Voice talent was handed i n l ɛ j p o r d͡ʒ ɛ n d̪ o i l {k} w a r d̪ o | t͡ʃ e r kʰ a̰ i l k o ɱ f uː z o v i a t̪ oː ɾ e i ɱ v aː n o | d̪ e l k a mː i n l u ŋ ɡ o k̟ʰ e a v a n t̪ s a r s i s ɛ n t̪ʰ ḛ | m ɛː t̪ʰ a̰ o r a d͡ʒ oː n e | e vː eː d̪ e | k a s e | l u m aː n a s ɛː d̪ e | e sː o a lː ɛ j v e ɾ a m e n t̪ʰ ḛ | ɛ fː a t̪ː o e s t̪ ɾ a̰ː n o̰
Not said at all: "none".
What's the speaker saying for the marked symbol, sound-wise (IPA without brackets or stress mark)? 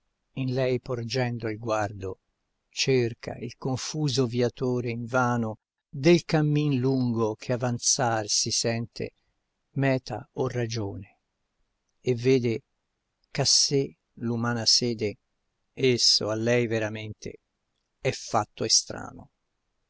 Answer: ɡ